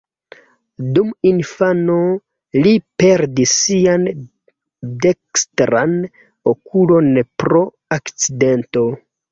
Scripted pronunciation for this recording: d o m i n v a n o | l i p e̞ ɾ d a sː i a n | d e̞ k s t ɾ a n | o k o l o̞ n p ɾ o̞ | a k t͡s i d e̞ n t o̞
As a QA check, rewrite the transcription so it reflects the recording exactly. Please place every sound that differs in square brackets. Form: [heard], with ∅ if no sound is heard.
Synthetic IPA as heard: d [u] m i n [f] a n o | l i p e̞ ɾ d [i] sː i a n | d e̞ k s t ɾ a n | o k [u] l o̞ n p ɾ o̞ | a k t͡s i d e̞ n t o̞